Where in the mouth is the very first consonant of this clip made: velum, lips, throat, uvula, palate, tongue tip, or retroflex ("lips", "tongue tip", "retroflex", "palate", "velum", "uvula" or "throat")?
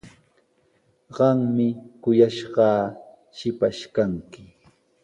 uvula